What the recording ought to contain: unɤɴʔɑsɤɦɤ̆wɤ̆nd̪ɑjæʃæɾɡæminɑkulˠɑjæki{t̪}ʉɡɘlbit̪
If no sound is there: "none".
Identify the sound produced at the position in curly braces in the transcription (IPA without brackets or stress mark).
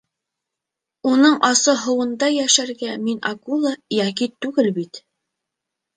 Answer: t̪